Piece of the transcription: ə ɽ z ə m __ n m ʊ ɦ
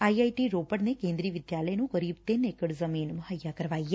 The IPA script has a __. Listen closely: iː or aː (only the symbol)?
iː